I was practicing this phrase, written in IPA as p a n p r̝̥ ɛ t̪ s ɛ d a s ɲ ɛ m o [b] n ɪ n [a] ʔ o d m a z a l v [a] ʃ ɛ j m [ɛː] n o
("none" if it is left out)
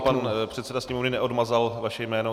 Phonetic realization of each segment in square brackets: v, ɛ, a, ɛː

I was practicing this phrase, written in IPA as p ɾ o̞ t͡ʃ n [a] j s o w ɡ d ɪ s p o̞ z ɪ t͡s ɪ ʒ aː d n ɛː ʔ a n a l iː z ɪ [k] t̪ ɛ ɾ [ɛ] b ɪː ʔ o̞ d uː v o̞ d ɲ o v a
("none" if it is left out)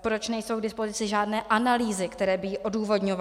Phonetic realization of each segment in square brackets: ɛ, k, ɛː

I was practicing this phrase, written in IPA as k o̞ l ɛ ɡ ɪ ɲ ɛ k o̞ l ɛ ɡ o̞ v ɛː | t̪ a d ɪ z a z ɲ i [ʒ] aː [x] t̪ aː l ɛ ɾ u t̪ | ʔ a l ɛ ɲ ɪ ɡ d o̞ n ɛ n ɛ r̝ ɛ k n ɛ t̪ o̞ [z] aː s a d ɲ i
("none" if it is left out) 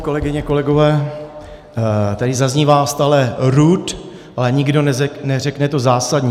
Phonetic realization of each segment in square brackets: v, s, z

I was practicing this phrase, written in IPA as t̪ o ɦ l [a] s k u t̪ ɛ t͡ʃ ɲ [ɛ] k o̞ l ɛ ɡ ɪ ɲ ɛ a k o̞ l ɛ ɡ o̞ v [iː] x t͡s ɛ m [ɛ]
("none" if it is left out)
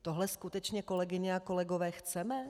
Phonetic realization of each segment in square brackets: ɛ, ɛ, ɛː, ɛ

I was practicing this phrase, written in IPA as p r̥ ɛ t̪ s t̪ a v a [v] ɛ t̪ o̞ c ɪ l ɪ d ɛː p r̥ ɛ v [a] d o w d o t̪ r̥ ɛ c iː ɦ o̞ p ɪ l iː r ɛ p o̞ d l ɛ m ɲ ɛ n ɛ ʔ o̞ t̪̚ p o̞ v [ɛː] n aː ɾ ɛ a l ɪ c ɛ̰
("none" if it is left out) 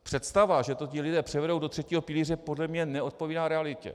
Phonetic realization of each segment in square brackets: ʒ, ɛ, iː

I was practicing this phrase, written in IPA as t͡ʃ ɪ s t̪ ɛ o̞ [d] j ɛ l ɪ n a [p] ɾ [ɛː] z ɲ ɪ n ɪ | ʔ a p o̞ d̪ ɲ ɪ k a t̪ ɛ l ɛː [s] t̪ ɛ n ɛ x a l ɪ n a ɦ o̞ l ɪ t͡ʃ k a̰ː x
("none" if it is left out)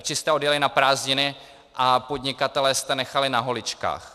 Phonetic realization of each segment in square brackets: d, p, aː, s

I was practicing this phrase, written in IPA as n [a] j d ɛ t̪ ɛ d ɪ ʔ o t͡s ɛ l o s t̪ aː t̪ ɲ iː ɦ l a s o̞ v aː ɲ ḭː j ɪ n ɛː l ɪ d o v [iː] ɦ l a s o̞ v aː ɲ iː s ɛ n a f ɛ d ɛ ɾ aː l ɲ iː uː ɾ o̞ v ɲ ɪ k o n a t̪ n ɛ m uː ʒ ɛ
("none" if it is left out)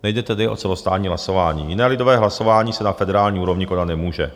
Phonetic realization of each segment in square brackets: ɛ, ɛː

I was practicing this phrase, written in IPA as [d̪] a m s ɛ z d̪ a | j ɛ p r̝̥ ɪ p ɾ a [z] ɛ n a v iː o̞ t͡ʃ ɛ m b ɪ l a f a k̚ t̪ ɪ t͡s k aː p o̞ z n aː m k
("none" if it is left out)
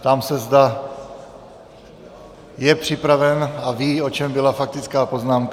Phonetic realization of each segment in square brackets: t̪, v

